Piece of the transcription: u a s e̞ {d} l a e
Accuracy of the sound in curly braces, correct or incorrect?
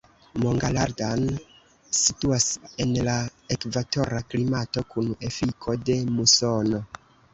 incorrect